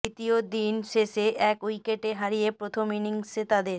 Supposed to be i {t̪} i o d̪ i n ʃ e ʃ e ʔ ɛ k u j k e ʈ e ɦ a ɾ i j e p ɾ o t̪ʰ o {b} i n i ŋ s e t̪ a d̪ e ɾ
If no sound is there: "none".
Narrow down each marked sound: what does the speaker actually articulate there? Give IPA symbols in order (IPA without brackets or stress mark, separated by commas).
t̪, m